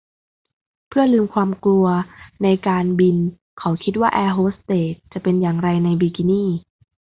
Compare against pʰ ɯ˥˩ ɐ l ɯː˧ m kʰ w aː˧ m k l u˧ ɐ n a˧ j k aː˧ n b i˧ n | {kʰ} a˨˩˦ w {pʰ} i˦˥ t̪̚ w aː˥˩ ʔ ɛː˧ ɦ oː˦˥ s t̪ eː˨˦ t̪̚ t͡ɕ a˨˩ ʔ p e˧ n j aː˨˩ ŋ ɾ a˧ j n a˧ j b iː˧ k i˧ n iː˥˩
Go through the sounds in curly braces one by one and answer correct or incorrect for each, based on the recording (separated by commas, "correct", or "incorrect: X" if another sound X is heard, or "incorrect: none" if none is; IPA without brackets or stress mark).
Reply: correct, incorrect: kʰ